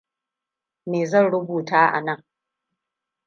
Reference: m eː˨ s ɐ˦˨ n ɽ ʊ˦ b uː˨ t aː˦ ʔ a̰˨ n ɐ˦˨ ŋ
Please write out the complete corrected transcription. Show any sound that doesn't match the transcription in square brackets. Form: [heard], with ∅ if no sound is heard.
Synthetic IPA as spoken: m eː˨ [z] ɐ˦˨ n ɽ ʊ˦ b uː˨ t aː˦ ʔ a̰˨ n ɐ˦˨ ŋ